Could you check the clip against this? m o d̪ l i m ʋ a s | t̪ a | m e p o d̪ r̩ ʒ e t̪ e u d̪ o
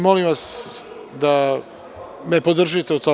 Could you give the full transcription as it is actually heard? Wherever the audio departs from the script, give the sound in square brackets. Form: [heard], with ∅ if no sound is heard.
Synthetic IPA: m o [∅] l i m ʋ a s | [d̪] a | m e p o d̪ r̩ ʒ [i] t̪ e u [t̪] o